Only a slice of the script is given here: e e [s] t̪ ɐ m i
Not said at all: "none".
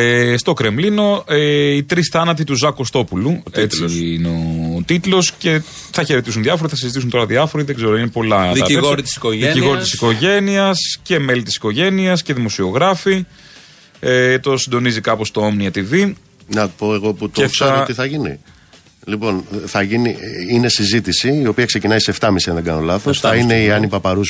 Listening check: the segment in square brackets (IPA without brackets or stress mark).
f